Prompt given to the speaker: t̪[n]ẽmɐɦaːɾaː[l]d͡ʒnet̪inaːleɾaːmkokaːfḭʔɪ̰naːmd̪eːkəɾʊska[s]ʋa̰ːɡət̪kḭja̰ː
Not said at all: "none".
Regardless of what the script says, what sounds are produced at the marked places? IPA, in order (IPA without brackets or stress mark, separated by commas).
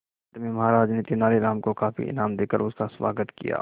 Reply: m, none, s